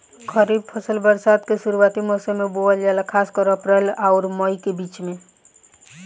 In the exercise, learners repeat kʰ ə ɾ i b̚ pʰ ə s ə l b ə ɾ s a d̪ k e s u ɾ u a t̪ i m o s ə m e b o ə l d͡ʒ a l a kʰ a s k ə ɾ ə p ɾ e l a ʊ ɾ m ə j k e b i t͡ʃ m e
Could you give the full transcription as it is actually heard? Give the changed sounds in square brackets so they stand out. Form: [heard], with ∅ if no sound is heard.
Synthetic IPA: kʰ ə ɾ i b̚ pʰ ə s ə l b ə ɾ s a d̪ k e s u ɾ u a t̪ i m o s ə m e b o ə l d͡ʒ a l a kʰ a s k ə ɾ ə p ɾ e l a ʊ ɾ m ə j k e b i t͡ʃ m e